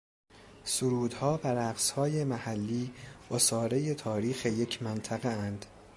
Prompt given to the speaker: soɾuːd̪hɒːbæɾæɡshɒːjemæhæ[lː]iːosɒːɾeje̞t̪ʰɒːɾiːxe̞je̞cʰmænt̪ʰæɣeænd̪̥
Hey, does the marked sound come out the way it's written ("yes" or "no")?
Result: yes